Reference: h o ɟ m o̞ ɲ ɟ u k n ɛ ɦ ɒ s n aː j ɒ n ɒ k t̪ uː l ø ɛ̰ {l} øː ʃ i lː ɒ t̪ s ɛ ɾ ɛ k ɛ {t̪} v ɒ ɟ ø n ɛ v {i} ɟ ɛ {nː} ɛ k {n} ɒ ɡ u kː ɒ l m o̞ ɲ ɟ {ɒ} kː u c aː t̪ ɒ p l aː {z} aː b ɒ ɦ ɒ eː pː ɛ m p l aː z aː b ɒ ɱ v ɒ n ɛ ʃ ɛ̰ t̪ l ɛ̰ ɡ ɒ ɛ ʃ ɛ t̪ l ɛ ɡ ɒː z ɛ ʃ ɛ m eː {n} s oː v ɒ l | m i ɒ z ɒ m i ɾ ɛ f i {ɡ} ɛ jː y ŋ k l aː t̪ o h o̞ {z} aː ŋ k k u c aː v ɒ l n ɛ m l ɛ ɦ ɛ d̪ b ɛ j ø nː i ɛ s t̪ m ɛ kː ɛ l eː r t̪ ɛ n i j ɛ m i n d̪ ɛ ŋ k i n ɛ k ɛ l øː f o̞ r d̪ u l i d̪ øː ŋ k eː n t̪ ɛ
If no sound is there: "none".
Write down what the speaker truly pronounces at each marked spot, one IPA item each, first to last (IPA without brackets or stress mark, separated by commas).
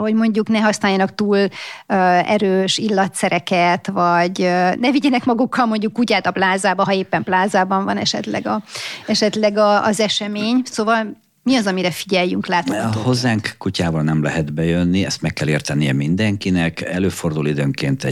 ɾ, t̪, i, n, m, u, z, ɲ, ɟ, zː